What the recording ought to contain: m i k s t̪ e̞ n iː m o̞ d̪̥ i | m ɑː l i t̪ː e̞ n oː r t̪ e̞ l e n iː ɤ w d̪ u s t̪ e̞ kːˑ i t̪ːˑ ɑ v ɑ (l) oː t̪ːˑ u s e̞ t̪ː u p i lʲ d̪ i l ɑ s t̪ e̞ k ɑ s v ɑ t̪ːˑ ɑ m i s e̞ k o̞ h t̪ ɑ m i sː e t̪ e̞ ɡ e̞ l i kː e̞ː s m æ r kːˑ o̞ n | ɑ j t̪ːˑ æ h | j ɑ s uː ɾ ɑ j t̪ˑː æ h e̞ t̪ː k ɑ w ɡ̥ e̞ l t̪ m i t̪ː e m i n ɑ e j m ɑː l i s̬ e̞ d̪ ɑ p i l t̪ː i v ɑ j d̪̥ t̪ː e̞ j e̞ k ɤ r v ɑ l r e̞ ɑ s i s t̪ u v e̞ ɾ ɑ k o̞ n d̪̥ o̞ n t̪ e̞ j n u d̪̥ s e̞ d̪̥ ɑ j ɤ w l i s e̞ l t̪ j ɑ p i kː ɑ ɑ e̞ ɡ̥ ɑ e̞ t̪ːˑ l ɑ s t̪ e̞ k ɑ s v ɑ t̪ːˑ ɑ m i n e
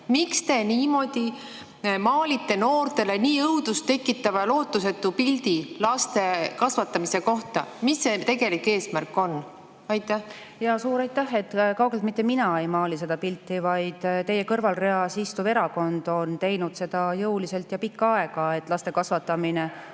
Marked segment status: correct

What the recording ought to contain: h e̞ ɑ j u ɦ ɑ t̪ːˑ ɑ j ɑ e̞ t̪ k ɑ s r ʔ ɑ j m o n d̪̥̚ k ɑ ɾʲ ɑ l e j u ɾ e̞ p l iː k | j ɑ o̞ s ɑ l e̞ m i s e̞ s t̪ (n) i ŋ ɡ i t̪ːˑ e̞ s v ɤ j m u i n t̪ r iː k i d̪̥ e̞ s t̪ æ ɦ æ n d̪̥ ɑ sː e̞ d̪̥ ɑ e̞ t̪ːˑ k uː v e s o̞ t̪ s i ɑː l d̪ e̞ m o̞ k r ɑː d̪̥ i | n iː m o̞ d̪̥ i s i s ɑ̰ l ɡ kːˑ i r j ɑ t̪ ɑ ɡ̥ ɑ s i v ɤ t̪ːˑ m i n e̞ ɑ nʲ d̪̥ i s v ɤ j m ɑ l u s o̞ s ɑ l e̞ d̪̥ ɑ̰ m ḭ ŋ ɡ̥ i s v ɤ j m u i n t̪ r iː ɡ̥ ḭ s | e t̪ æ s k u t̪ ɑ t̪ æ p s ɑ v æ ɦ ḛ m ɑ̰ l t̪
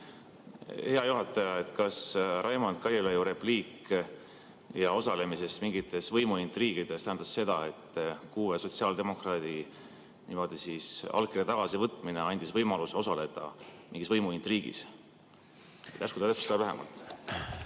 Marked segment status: incorrect: m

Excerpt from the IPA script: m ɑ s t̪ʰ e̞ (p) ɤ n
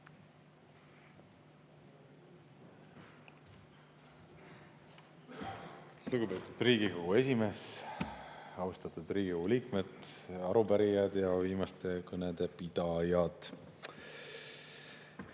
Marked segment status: incorrect: k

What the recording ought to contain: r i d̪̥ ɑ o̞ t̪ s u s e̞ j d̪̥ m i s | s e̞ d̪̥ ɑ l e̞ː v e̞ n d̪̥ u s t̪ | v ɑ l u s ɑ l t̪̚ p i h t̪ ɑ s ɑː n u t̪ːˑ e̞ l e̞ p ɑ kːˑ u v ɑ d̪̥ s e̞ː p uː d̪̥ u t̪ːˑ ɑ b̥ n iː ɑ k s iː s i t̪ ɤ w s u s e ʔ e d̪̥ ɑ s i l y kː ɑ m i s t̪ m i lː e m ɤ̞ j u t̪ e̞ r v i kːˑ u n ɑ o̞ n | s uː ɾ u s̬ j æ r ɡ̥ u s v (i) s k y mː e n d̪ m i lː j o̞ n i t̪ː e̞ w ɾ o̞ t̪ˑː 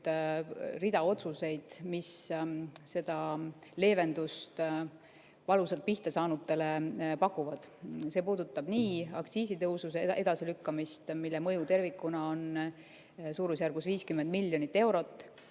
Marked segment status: incorrect: iː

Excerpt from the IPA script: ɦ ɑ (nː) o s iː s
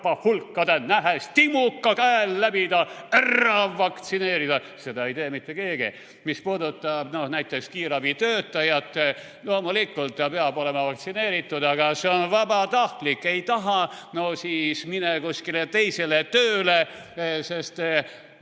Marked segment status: incorrect: n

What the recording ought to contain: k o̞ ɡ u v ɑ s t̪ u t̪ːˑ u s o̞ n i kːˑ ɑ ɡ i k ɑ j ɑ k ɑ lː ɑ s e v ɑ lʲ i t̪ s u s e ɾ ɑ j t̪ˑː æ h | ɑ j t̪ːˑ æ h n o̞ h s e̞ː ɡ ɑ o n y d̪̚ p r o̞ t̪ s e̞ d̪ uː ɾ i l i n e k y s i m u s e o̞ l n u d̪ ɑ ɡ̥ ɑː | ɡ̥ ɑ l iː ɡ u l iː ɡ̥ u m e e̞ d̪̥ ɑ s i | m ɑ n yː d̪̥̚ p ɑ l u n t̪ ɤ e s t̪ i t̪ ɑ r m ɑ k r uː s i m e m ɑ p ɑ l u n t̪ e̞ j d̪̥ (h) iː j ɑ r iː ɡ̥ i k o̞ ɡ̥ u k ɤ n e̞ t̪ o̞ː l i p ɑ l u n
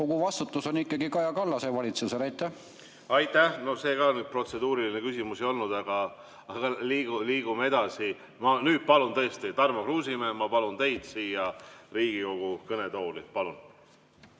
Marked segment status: incorrect: s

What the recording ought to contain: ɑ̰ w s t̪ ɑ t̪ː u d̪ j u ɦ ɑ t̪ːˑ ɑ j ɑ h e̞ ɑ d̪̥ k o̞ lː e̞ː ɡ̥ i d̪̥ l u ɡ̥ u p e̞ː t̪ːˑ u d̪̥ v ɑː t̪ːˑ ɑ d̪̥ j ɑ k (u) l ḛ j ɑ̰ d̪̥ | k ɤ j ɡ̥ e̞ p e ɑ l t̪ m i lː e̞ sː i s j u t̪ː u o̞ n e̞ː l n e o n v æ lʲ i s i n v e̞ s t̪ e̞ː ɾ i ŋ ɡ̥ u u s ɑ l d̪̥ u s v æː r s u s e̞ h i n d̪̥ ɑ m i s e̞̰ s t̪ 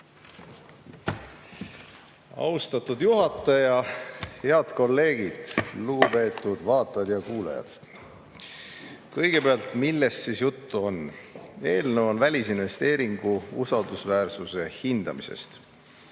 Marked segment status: incorrect: uː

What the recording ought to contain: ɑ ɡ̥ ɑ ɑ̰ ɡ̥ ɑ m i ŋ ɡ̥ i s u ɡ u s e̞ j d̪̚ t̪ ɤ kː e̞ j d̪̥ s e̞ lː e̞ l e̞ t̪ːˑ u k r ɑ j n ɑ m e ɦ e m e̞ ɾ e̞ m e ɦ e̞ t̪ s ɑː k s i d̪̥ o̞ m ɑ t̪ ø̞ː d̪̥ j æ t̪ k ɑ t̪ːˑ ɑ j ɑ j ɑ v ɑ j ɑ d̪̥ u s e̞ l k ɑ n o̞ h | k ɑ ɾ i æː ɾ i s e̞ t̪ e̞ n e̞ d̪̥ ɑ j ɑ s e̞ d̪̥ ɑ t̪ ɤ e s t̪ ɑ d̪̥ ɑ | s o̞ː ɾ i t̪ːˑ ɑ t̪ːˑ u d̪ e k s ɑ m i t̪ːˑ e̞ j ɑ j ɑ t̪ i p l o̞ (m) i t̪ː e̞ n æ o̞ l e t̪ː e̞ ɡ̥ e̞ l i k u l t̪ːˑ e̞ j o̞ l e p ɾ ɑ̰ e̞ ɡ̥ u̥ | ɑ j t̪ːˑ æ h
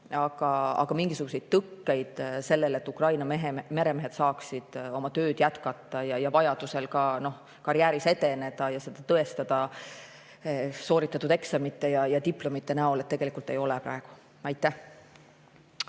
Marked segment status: correct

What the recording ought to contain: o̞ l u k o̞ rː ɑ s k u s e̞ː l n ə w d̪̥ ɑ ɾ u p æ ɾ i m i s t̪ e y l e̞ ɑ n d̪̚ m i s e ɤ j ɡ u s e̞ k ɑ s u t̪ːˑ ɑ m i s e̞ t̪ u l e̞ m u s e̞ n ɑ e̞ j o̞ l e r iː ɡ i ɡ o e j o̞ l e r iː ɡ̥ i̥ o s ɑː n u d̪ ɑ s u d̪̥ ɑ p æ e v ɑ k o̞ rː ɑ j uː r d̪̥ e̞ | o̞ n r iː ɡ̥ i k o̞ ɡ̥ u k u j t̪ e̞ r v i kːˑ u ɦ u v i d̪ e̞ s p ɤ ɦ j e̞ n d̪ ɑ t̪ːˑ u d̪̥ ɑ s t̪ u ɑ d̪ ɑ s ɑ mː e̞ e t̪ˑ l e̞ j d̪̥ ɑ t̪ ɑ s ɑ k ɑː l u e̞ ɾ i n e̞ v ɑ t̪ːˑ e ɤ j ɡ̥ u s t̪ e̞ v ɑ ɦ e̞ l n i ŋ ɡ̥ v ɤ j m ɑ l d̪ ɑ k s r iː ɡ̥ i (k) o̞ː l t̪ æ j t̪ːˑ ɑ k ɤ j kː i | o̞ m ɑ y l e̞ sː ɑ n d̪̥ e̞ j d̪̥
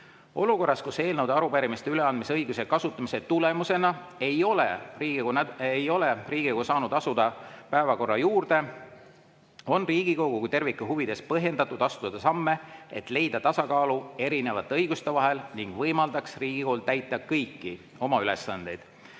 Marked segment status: correct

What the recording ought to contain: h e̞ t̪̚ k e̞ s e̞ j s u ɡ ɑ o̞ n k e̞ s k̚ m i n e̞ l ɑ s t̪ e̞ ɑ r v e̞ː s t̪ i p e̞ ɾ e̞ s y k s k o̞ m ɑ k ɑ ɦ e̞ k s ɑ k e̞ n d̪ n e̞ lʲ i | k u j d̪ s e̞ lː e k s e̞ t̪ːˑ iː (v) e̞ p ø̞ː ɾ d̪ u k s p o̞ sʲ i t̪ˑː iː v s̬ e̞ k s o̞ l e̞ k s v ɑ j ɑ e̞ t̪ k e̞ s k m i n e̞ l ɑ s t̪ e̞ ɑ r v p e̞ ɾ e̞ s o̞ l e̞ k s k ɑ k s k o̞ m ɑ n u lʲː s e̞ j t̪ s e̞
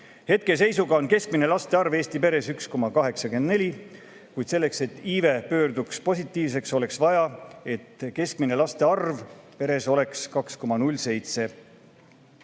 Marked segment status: correct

